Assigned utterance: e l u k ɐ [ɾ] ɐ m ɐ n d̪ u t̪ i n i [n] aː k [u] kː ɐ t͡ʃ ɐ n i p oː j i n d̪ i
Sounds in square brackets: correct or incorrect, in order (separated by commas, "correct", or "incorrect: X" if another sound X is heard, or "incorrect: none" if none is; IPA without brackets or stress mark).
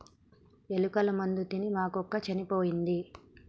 incorrect: l, incorrect: m, incorrect: ɔ